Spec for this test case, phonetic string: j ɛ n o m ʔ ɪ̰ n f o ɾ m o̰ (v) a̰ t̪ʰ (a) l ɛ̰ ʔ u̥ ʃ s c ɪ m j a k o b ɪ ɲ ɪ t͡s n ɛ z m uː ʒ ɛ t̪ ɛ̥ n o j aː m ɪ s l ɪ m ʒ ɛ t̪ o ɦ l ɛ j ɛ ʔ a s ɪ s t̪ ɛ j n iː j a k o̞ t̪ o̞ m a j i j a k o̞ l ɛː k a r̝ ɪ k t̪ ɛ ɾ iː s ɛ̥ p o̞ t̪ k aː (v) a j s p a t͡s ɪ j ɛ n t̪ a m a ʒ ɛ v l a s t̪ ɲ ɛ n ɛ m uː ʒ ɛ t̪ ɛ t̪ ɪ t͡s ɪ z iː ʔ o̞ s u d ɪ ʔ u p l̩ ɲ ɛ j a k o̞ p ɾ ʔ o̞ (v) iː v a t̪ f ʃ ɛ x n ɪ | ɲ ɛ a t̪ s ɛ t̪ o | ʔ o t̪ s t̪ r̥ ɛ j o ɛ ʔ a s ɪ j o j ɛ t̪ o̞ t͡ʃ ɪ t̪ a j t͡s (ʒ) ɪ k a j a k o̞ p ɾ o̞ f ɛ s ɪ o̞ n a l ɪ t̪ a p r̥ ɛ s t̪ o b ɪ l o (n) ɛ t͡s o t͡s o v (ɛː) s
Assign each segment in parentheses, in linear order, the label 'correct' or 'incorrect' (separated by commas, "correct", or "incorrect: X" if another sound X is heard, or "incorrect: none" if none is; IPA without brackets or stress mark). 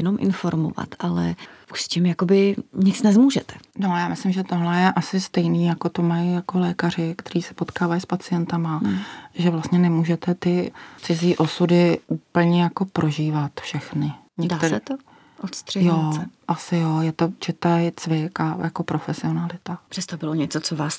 correct, correct, correct, incorrect: ʒ, incorrect: v, incorrect: ɲ, incorrect: aː